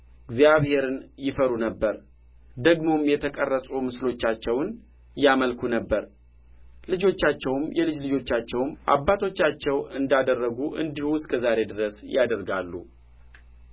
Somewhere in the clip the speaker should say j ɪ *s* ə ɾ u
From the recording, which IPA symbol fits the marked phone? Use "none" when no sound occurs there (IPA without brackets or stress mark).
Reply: f